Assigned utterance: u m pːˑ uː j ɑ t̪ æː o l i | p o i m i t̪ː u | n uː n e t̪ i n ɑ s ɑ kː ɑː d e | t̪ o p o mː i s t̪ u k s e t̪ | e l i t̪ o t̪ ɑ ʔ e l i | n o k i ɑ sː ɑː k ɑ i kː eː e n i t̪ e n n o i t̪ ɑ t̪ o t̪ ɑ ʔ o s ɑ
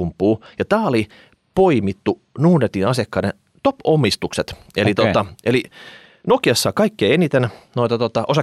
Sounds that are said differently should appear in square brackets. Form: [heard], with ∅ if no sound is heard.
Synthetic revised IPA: u m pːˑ uː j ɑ t̪ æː o l i | p o i m i t̪ː u | n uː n e t̪ i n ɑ s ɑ kː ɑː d e | t̪ o p o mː i s t̪ u k s e t̪ | e l i t̪ o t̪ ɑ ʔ e l i | n o k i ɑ sː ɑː k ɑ i kː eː e n i t̪ e n n o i t̪ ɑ t̪ o t̪ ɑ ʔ o s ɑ